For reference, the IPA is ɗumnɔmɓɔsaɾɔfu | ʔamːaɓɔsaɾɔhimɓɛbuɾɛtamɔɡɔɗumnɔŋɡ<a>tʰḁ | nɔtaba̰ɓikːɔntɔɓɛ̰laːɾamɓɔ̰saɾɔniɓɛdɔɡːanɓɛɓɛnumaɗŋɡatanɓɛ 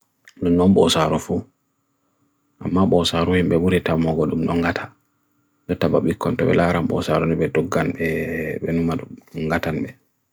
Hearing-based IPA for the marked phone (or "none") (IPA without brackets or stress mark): a